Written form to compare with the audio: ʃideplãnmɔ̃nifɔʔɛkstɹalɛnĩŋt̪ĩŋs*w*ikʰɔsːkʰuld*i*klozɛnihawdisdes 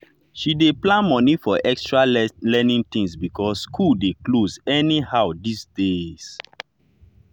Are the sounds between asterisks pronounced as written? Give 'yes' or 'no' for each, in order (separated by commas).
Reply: no, no